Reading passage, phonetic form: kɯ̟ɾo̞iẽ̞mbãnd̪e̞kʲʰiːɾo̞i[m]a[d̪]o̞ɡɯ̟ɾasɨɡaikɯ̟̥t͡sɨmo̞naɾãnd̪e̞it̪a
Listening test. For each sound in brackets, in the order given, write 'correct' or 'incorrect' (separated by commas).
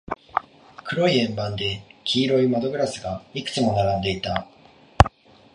correct, correct